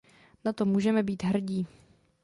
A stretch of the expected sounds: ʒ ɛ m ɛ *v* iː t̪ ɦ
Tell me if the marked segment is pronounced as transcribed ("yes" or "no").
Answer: no